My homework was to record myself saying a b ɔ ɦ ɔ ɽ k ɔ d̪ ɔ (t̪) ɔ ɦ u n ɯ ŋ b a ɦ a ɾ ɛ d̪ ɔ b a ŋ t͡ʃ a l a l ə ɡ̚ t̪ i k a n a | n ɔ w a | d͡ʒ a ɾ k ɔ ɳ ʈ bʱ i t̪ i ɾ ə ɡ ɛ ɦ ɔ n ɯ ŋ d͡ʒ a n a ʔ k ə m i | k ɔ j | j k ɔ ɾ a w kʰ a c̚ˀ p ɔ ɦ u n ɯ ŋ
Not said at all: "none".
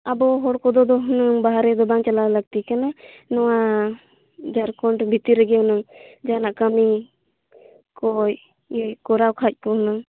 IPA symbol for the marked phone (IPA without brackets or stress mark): d̪